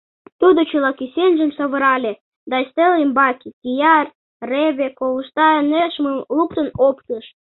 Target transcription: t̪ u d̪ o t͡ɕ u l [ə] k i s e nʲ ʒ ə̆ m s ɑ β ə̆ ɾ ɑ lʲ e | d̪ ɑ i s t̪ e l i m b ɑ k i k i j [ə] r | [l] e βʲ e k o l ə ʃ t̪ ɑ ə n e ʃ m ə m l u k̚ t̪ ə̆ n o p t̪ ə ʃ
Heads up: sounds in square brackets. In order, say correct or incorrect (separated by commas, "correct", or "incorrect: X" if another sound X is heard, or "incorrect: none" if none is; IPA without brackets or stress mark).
incorrect: ɑ, incorrect: ɑ, incorrect: r